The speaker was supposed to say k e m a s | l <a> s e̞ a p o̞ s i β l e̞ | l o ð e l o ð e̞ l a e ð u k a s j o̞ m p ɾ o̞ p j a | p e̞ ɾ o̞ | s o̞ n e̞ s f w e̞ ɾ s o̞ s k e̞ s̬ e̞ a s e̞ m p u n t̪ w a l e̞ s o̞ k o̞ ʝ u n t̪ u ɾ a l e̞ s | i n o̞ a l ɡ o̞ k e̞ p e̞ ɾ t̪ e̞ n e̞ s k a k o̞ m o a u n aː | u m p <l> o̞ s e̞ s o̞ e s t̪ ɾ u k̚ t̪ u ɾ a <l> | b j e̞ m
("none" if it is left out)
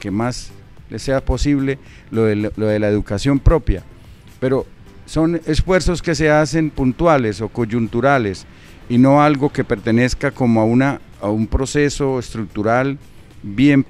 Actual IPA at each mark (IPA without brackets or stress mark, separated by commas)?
e, ɾ, l